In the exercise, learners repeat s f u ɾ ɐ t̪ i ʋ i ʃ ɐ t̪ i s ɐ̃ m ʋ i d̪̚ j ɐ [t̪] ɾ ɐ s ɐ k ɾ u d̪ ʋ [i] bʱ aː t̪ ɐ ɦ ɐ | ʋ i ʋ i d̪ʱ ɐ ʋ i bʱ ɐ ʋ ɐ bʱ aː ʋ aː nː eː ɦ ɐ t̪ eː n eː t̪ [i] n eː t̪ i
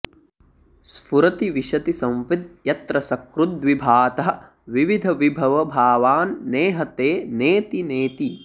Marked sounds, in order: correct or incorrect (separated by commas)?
correct, correct, correct